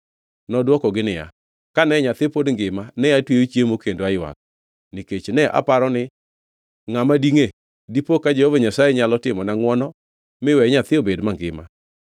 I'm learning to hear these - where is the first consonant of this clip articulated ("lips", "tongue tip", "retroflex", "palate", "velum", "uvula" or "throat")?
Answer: tongue tip